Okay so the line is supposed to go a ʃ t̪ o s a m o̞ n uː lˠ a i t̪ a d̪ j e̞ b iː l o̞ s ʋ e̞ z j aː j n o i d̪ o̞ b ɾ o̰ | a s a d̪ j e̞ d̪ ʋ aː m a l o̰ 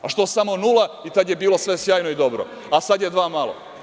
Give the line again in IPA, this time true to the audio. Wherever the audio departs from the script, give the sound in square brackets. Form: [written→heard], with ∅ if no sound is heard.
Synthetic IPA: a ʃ t̪ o s a m o̞ n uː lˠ a i t̪ a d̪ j e̞ b iː l o̞ s ʋ e̞ [z→s] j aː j n o i d̪ o̞ b ɾ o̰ | a s a d̪ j e̞ d̪ ʋ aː m a l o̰